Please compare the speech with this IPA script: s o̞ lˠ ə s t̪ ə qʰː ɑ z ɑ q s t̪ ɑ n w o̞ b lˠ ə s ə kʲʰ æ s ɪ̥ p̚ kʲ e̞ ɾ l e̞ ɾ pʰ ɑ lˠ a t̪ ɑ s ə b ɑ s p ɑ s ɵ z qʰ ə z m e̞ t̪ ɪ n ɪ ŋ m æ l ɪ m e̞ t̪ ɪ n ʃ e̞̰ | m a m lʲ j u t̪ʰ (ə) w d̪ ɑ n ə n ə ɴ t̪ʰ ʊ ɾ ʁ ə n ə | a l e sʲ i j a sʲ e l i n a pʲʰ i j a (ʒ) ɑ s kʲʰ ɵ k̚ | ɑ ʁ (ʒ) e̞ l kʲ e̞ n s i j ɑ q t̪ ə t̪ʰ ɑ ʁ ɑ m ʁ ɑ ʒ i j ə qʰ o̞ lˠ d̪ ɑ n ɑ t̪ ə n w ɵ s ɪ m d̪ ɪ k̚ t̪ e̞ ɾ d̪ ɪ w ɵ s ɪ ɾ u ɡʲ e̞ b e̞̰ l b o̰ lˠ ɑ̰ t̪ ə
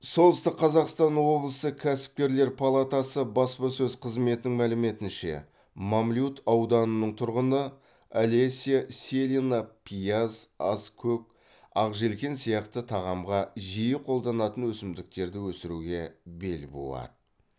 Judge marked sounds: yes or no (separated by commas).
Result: no, no, yes